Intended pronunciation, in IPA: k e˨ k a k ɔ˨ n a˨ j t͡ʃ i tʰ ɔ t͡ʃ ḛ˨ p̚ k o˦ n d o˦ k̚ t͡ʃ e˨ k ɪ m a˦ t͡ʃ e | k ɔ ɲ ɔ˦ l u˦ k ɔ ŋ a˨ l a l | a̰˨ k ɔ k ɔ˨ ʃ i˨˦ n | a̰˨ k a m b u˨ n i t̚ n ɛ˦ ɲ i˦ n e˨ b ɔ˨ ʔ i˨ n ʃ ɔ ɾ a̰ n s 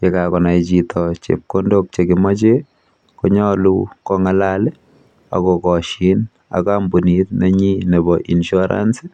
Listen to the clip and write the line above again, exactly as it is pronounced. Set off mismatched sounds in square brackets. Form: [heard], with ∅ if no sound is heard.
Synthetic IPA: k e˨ k a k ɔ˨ n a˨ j t͡ʃ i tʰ ɔ t͡ʃ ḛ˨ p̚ k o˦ n d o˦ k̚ t͡ʃ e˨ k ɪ m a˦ t͡ʃ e | k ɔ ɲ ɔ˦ l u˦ k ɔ ŋ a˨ l a l | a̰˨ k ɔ k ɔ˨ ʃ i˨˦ n | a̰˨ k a m b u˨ n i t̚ n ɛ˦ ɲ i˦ n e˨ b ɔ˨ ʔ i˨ n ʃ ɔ ɾ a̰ n s